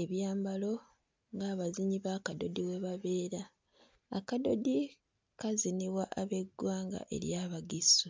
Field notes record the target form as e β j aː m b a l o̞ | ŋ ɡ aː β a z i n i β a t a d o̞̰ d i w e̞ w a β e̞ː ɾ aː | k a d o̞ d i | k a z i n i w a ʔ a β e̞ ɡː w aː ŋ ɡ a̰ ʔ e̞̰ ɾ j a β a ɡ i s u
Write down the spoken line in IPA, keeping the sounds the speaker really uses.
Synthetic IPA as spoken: e β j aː m b a l o̞ | ŋ ɡ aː β a z i ɲ i β a k a d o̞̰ d i w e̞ β a β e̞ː ɾ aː | k a d o̞ d i | k a z i n i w a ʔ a β e̞ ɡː w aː ŋ ɡ a̰ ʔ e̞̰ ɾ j a β a ɡ i s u

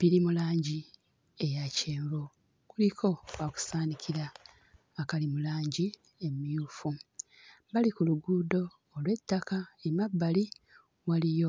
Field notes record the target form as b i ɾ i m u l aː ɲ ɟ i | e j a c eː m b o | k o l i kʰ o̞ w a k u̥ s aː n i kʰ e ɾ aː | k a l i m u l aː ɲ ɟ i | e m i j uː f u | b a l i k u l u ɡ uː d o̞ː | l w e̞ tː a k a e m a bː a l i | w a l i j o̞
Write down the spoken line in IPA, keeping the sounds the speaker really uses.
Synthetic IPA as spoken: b i ɾ i m u l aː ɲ ɟ i | e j a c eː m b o | k u l i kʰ o̞ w a k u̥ s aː n i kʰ i ɾ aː | k a l i m u l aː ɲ ɟ i | e m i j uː f u | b a l i k u l u ɡ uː d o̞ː | l w e̞ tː a k a e m a bː a l i | w a l i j o̞

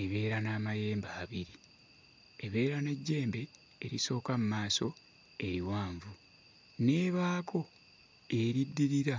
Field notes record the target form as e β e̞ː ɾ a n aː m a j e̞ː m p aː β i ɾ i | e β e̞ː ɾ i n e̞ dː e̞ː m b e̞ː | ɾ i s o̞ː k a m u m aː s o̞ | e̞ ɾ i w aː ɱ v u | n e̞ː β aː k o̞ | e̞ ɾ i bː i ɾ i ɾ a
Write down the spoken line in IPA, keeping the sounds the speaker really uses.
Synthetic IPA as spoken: e β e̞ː ɾ a n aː m a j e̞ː m b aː β i ɾ i | e β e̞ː ɾ a n e̞ ɟː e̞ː m b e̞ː | ɾ i s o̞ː k a m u m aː s o̞ | e̞ ɾ i w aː ɱ v u | n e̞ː β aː k o̞ | e̞ ɾ i dː i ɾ i ɾ a

